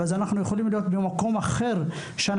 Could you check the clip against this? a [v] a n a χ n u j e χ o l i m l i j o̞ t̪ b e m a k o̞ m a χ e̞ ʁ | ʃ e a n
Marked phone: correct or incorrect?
incorrect